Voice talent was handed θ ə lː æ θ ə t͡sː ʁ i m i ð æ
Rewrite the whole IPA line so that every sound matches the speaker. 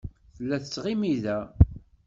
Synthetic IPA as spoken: θ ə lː æ θ ə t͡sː ʁ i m i ð æ